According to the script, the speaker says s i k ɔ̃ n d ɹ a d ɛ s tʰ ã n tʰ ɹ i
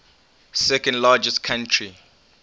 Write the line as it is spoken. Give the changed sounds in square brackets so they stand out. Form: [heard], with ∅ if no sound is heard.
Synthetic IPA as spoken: s [ɛ] k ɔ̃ n d [l] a [d͡ʒ] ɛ s [kʰ] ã n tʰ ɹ i